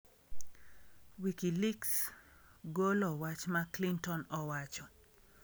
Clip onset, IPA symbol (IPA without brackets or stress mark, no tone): w